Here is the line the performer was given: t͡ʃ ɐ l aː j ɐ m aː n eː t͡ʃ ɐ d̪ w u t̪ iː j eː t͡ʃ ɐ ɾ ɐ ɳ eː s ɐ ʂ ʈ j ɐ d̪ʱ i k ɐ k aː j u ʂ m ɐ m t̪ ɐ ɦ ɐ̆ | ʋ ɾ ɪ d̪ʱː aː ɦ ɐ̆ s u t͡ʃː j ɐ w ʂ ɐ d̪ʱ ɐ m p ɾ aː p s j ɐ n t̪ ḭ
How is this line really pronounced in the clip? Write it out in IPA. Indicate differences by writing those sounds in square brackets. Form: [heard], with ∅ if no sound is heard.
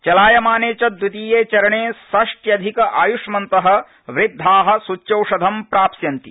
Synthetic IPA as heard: t͡ʃ ɐ l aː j ɐ m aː n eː t͡ʃ ɐ d̪ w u t̪ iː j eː t͡ʃ ɐ ɾ ɐ ɳ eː s ɐ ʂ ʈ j ɐ d̪ʱ i k ɐ [ʔ] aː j u ʂ m ɐ [n] t̪ ɐ ɦ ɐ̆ | ʋ ɾ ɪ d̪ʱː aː ɦ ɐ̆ s u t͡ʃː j ɐ w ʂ ɐ d̪ʱ ɐ m p ɾ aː p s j ɐ n t̪ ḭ